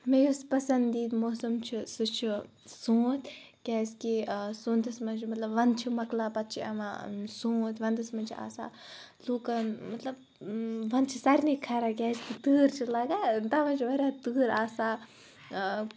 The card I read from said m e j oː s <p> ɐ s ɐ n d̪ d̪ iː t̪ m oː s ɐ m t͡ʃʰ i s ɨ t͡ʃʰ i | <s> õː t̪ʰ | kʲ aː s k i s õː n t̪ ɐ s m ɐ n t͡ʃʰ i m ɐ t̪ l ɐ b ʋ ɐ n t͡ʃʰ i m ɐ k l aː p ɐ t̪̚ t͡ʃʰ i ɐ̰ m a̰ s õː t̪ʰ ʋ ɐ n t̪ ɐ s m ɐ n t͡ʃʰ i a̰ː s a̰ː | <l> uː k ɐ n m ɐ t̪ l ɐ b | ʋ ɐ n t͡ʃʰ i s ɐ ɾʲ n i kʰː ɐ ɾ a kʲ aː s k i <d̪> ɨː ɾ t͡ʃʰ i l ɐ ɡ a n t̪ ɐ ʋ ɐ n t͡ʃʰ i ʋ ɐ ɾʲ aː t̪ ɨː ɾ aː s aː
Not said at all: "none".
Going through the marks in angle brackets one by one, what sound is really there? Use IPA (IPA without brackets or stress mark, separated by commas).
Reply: p, s, l, t̪